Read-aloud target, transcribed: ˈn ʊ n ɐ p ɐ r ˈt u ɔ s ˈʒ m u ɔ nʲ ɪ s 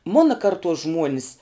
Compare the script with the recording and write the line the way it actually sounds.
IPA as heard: ˈm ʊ n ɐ k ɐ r ˈt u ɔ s ˈʒ m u ɔ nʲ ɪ s